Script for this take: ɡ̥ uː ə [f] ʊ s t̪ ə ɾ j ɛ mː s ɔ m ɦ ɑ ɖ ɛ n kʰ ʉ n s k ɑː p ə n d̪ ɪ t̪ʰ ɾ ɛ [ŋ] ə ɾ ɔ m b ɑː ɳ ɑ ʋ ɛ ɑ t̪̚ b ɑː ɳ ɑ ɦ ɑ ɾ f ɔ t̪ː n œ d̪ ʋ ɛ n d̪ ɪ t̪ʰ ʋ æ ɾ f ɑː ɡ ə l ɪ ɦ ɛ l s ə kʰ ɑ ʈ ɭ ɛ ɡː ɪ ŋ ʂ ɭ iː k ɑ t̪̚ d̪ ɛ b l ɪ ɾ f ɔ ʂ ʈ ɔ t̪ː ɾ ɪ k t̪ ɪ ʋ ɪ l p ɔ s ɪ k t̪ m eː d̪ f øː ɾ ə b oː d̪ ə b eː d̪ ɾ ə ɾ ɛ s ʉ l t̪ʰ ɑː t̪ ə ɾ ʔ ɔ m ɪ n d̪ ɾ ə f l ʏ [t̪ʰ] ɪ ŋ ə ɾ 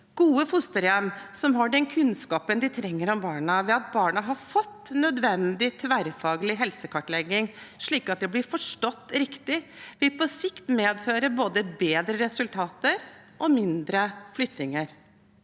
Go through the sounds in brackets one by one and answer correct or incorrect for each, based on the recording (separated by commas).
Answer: correct, incorrect, incorrect